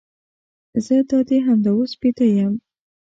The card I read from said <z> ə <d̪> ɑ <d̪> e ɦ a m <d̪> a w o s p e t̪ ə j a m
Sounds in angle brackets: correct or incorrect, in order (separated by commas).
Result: correct, correct, correct, correct